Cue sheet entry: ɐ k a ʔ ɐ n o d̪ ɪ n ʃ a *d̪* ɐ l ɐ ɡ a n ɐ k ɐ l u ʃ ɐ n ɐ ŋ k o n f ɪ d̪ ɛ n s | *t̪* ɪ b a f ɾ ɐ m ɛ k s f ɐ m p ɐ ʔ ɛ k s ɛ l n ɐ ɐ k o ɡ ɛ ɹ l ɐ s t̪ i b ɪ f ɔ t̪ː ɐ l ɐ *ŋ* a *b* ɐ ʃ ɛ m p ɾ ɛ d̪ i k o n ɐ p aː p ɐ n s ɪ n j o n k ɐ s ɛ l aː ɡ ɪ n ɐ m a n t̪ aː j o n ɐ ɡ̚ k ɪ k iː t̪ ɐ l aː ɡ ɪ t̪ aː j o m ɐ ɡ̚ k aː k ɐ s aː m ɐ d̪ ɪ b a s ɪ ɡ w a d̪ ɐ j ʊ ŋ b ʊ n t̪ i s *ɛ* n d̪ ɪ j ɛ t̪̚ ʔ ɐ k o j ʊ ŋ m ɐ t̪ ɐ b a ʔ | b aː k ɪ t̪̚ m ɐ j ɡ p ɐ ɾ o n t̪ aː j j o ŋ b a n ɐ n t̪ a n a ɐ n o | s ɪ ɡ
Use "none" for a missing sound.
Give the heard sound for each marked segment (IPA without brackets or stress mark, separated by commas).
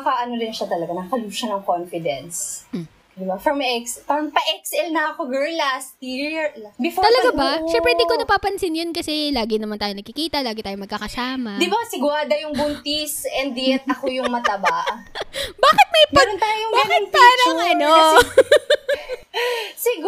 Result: t̪, d̪, ɡ, b, ɛ